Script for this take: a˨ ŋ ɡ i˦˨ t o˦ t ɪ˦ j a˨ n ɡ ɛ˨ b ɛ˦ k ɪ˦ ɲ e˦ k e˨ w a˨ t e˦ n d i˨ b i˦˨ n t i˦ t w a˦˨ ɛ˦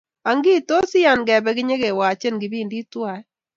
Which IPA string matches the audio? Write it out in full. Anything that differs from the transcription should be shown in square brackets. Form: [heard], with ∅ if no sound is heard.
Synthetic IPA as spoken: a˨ ŋ ɡ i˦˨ t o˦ [s] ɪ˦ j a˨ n ɡ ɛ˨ b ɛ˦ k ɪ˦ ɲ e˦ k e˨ w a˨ [t͡ʃ] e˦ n [ɡ] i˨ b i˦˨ n [d] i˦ t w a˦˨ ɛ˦